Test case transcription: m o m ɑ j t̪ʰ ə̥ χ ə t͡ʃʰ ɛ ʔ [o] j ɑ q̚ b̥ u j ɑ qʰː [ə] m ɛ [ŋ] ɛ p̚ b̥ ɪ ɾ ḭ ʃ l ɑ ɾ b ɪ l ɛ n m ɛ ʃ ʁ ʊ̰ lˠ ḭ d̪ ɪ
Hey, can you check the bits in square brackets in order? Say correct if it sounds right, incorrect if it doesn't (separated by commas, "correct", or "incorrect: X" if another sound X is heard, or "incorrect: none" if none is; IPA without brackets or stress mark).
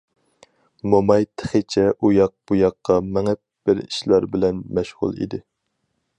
incorrect: u, incorrect: ɑ, correct